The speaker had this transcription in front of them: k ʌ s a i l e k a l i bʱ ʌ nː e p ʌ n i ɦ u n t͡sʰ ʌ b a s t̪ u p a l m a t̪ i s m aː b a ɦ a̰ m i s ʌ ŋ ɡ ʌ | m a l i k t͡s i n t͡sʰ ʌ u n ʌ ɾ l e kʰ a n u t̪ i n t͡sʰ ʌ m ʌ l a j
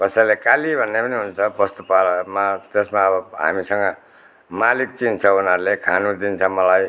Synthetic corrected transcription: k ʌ s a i l e k a l i bʱ ʌ nː e p ʌ n i ɦ u n t͡sʰ ʌ b ʌ s t̪ u p a l m a t̪ e s m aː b ʌ ɦ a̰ m i s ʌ ŋ ɡ ʌ | m a l i k t͡s i n t͡sʰ ʌ u n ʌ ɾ l e kʰ a n u d̪ i n t͡sʰ ʌ m ʌ l a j